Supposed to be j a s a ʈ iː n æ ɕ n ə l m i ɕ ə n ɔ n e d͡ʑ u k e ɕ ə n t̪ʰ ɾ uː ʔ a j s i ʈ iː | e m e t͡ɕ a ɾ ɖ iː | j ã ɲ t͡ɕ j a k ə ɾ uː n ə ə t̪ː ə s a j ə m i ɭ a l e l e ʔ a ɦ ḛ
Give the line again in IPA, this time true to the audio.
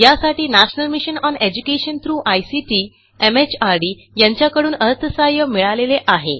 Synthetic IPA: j a s a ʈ iː n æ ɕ n ə l m i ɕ ə n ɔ n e d͡ʑ u k e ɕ ə n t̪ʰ ɾ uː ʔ a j s i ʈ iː | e m e t͡ɕ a ɾ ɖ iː | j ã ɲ t͡ɕ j a k ə ɽ uː n ə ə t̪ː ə s a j ə m i ɭ a l e l e ʔ a ɦ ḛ